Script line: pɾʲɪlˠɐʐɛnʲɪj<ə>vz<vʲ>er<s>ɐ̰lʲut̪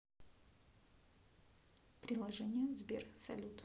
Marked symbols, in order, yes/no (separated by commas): yes, no, yes